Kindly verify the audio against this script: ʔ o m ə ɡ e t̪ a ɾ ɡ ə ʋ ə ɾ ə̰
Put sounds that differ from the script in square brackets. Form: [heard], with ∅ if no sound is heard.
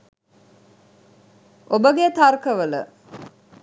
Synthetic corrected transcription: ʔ o [b] ə ɡ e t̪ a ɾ [k] ə ʋ ə [l] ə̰